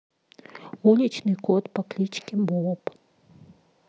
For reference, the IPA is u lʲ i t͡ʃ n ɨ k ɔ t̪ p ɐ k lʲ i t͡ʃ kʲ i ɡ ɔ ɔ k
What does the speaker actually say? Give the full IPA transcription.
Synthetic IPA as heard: u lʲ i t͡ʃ n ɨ k ɔ t̪ p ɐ k lʲ i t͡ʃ kʲ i b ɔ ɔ p